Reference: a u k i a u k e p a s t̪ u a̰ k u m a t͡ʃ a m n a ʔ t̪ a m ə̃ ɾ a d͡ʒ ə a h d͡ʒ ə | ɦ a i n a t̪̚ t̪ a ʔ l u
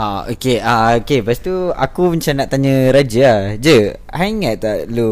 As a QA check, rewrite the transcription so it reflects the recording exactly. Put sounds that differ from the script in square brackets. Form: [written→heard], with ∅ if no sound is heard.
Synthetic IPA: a [u→o] k [i→e] a [u→o] k e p a s t̪ u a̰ k u m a t͡ʃ a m n a ʔ t̪ a [m→ɲ] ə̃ ɾ a d͡ʒ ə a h d͡ʒ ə | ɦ a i [n→ŋ] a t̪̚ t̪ a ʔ l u